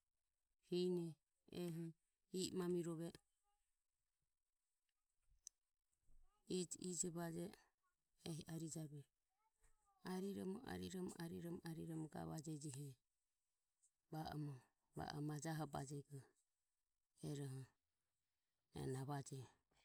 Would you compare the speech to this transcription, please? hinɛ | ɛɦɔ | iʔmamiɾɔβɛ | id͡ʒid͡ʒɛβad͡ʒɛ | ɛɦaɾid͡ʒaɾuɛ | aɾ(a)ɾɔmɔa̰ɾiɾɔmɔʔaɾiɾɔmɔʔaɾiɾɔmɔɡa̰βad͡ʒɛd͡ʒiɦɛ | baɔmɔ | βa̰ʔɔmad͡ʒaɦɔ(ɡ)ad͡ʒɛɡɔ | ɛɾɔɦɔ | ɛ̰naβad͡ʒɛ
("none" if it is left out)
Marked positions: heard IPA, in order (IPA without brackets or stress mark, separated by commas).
i, b